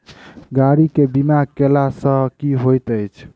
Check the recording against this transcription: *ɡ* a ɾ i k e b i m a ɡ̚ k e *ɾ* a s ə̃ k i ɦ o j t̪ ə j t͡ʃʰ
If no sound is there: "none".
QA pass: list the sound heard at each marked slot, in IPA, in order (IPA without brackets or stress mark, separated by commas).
ɡ, l